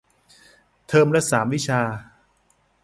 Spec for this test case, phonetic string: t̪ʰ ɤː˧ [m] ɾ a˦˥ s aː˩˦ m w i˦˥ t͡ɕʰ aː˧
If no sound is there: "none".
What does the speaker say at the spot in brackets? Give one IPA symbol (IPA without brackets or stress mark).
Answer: m